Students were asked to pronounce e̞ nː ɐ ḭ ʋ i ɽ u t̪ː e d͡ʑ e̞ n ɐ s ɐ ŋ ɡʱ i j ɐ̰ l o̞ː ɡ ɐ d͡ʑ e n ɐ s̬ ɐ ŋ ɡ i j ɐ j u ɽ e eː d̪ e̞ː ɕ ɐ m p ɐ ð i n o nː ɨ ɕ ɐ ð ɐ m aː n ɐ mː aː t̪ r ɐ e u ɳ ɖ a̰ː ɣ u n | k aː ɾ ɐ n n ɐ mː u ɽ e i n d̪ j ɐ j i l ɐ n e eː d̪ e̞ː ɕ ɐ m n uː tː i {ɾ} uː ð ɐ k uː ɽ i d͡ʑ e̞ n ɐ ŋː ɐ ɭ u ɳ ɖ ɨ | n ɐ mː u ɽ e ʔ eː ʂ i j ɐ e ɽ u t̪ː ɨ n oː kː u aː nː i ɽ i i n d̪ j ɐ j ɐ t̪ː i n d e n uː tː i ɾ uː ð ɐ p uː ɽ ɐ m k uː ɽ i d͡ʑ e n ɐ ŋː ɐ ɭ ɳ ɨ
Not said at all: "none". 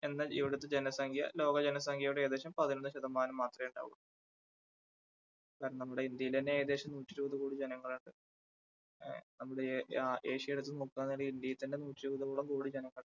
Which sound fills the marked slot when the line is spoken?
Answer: ɾ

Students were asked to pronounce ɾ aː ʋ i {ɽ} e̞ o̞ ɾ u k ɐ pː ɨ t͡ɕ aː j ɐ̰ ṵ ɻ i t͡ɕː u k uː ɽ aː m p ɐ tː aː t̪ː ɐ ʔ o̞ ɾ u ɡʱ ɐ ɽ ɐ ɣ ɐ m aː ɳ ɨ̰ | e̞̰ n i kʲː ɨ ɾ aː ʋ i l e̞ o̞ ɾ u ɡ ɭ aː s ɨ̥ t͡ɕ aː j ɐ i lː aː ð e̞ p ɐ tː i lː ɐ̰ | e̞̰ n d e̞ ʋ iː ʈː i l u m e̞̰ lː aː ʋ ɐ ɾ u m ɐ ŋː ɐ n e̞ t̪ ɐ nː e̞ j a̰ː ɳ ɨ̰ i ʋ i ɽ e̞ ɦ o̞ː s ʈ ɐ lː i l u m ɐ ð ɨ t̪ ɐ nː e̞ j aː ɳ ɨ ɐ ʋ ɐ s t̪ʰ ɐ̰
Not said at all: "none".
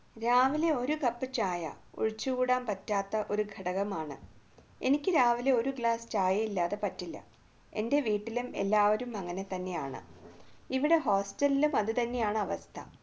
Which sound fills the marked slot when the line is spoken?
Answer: l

